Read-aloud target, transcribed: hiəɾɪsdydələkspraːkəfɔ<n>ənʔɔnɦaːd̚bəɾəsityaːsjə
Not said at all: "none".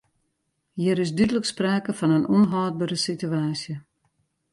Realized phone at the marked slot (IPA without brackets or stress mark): n